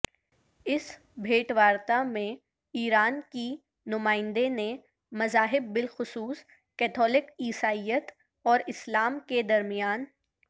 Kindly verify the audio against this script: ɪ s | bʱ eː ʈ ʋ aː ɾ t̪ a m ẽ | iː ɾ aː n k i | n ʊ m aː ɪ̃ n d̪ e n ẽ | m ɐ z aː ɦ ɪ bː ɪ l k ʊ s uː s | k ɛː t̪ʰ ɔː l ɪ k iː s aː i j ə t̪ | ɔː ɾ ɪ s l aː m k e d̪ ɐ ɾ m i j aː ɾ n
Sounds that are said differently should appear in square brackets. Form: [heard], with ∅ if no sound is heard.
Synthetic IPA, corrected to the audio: ɪ s | bʱ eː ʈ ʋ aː ɾ t̪ a m ẽ | iː ɾ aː n k i | n ʊ m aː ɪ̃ n d̪ e n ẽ | m ɐ z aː ɦ ɪ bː ɪ l [x] ʊ s uː s | k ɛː t̪ʰ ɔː l ɪ k iː s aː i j ə t̪ | ɔː ɾ ɪ s l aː m k e d̪ ɐ ɾ m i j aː [∅] n